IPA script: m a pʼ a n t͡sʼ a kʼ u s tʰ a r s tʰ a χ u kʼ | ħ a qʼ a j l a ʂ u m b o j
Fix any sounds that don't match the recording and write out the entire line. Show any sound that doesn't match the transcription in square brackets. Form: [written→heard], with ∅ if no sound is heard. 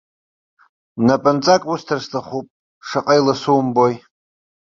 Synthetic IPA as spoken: [m→n] a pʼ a n t͡sʼ a kʼ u s tʰ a r s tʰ a χ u [kʼ→pʼ] | [ħ→ʂ] a qʼ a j l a [ʂ→s] u m b o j